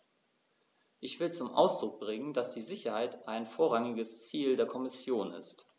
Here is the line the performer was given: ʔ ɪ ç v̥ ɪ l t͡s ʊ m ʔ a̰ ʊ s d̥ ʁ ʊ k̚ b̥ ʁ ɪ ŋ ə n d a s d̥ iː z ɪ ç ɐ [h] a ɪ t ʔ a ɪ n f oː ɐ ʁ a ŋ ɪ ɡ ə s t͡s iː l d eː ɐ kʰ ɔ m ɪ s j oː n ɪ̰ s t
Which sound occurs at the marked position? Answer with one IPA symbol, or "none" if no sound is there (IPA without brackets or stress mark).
h